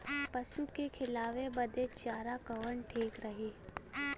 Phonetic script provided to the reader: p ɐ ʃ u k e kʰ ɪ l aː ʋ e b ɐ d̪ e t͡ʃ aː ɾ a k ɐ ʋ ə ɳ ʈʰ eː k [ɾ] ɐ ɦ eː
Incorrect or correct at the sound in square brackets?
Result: correct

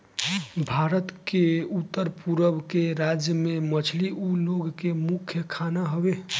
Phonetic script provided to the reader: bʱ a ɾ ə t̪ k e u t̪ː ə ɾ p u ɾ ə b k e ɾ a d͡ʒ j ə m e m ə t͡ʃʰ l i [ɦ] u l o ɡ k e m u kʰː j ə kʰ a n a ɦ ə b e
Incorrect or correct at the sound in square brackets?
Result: incorrect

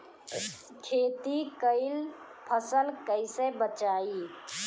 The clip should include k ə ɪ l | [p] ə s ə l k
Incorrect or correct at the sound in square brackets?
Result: incorrect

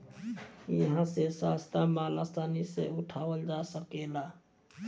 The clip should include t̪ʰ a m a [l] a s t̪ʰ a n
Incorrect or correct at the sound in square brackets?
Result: correct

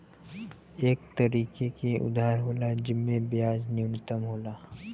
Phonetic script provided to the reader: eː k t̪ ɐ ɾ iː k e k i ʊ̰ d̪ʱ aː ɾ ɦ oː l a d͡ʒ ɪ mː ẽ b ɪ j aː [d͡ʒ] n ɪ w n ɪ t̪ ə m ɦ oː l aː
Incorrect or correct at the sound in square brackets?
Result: correct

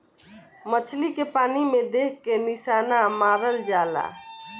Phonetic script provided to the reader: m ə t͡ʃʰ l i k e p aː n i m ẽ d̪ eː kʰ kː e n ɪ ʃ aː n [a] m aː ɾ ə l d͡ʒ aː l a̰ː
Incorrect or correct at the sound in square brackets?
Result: correct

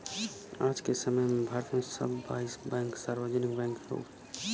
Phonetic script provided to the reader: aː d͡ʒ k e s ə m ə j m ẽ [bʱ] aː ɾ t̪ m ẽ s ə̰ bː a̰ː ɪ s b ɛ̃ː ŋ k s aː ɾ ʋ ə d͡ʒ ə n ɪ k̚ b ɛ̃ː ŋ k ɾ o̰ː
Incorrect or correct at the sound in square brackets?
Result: correct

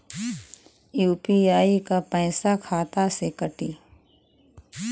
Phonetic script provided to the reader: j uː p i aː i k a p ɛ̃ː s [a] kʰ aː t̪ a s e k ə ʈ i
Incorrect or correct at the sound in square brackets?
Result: correct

